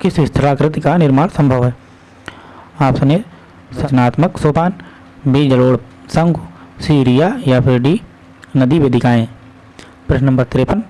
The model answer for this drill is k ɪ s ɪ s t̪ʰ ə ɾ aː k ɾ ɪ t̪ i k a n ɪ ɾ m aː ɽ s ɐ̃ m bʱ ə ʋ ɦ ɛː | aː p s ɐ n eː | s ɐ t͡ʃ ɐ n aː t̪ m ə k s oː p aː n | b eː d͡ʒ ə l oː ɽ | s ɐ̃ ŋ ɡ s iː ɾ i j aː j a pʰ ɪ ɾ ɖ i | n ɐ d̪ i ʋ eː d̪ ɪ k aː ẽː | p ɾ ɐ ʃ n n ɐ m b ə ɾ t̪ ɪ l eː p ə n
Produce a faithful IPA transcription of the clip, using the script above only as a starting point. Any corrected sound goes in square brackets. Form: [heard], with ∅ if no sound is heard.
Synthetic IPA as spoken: k ɪ s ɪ s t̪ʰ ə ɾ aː k ɾ ɪ t̪ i k a n ɪ ɾ m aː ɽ s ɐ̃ m bʱ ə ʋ ɦ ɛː | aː p s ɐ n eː | s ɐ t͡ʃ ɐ n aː t̪ m ə k s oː p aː n | b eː d͡ʒ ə l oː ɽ | s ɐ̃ ŋ ɡ s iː ɾ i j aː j a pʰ ɪ ɾ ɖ i | n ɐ d̪ i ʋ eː d̪ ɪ k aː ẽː | p ɾ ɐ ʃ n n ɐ m b ə ɾ t̪ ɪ [ɾ] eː p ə n